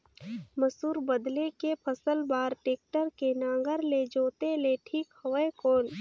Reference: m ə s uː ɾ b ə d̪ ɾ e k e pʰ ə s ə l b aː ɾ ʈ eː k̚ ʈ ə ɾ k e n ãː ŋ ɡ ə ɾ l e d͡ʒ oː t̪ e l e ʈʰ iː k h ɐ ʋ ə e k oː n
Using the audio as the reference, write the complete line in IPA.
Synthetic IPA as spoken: m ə s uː ɾ b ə d̪ l e k e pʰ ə s ə l b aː ɾ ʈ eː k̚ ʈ ə ɾ k e n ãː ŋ ɡ ə ɾ l e d͡ʒ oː t̪ e l e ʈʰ iː k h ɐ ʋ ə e k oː n